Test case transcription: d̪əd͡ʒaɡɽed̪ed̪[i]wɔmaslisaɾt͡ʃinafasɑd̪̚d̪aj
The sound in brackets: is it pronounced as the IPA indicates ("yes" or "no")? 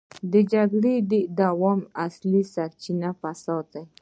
no